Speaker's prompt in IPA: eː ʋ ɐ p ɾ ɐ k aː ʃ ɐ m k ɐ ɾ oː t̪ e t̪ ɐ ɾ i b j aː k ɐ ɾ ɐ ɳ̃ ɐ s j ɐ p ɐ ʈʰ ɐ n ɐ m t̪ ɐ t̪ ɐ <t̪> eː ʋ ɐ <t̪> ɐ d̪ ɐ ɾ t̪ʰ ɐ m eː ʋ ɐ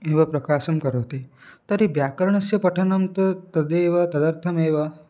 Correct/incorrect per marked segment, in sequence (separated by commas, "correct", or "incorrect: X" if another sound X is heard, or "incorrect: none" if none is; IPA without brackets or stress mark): incorrect: d̪, correct